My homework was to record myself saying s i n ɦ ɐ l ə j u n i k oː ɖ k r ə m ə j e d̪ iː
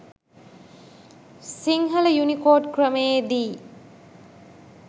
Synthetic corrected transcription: s i ŋ ɦ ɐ l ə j u n i k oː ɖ k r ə m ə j e d̪ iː